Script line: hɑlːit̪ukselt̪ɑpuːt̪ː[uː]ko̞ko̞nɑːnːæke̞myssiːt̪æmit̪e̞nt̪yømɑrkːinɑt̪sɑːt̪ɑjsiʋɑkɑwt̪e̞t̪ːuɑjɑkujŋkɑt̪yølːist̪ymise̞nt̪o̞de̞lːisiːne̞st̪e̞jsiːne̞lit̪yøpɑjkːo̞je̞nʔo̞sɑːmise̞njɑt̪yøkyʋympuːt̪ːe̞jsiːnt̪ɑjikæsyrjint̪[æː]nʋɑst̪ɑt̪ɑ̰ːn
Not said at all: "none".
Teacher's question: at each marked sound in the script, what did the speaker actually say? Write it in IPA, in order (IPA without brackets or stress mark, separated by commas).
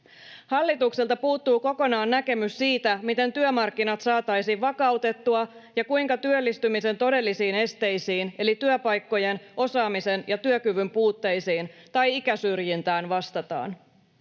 uː, æː